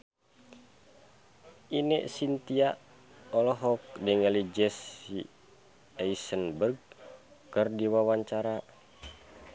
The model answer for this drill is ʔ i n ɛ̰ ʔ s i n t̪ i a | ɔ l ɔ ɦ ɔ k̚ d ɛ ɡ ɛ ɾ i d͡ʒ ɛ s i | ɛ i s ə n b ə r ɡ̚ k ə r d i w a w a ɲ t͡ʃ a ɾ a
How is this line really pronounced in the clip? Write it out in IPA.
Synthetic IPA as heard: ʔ i n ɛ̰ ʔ s i n t̪ i a | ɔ l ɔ ɦ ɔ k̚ d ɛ ŋ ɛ l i d͡ʒ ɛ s i | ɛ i s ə n b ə r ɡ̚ k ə r d i w a w a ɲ t͡ʃ a ɾ a

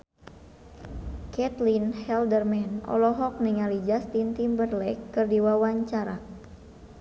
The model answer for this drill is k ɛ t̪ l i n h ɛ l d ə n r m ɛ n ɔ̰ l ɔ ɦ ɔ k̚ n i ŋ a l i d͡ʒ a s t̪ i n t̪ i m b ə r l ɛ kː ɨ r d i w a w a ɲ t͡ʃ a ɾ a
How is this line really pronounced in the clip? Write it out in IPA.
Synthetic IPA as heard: k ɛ t̪ l i n h ɛ l d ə r m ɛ n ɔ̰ l ɔ ɦ ɔ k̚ n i ŋ a l i d͡ʒ a s t̪ i n t̪ i m b ə r l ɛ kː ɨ r d i w a w a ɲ t͡ʃ a ɾ a

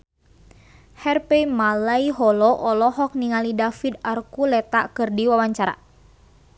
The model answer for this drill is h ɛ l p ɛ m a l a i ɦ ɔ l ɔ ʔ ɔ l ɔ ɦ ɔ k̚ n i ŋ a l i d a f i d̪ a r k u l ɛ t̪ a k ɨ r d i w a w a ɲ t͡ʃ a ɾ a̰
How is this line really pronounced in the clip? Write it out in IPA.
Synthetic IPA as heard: h ɛ r p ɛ m a l a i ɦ ɔ l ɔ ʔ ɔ l ɔ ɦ ɔ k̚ n i ŋ a l i d a f i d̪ a r k u l ɛ t̪ a k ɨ r d i w a w a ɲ t͡ʃ a ɾ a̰

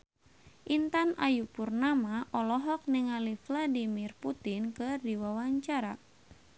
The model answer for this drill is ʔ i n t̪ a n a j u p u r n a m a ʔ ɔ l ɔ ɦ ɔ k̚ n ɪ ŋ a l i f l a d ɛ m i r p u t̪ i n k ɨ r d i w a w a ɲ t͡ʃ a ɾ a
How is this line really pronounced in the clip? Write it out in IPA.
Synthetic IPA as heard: ʔ i n t̪ a n a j u p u r n a m a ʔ ɔ l ɔ ɦ ɔ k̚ n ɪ ŋ a l i f l a d i m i r p u t̪ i n k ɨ r d i w a w a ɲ t͡ʃ a ɾ a

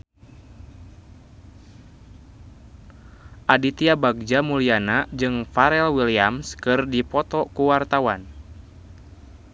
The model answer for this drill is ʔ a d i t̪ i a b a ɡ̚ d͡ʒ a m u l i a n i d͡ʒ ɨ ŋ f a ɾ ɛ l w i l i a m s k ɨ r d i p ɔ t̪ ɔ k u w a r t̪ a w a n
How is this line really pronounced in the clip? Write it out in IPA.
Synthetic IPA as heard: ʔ a d i t̪ i a b a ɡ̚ d͡ʒ a m u l i a n a d͡ʒ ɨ ŋ f a ɾ ɛ l w i l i a m s k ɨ r d i p ɔ t̪ ɔ k u w a r t̪ a w a n

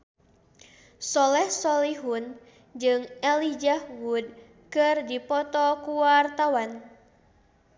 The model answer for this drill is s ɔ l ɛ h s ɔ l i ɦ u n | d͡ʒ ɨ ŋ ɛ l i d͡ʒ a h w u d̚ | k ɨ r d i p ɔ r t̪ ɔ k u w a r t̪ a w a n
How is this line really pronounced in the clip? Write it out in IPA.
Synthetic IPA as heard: s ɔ l ɛ h s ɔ l i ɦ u n | d͡ʒ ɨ ŋ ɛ l i d͡ʒ a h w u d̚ | k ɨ r d i p ɔ t̪ ɔ k u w a r t̪ a w a n

